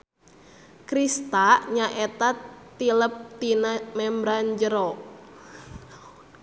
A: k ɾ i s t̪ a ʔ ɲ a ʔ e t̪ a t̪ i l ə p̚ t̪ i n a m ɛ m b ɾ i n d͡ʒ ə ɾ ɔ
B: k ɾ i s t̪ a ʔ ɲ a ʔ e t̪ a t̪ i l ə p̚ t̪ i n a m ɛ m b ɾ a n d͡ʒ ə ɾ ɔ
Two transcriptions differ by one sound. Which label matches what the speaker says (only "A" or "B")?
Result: B